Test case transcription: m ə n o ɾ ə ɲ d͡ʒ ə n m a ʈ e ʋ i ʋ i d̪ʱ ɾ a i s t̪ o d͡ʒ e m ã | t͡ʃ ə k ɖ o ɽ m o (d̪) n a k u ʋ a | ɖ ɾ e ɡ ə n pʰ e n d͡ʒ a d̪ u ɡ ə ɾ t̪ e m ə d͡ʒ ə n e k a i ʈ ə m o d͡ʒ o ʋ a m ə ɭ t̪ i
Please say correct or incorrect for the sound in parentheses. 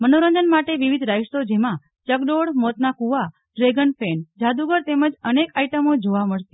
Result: incorrect